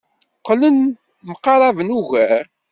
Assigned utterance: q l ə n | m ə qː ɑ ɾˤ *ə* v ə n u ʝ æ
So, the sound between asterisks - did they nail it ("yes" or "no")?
no